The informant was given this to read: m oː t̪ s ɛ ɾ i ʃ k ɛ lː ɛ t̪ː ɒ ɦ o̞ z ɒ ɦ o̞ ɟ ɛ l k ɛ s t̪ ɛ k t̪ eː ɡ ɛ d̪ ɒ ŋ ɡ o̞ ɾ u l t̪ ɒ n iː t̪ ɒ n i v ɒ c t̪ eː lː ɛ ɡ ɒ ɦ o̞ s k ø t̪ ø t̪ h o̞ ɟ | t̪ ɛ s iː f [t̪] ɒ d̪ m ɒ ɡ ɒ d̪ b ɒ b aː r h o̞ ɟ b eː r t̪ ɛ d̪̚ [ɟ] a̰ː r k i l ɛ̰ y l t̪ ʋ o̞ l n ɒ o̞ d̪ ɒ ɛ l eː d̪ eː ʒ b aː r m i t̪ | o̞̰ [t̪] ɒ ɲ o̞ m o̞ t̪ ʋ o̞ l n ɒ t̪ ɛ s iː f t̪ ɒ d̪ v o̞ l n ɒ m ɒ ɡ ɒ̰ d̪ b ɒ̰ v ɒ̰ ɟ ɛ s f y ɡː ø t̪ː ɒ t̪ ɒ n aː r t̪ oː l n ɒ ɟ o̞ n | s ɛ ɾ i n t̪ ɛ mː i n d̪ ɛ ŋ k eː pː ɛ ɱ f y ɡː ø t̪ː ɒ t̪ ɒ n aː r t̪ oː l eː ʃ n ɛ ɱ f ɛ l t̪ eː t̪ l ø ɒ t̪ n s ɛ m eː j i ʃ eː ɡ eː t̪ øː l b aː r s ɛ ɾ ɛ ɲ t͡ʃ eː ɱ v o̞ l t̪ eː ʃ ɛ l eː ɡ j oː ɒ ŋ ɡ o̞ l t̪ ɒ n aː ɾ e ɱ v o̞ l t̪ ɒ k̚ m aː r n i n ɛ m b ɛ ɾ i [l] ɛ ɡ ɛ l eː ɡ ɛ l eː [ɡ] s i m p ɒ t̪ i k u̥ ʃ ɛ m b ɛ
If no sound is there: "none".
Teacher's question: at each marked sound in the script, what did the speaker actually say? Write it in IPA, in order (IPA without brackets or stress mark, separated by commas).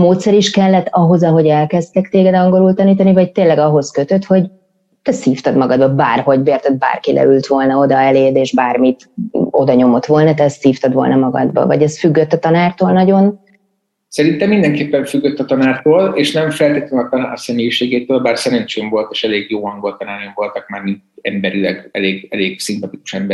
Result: t̪, b, d̪, l, ɡ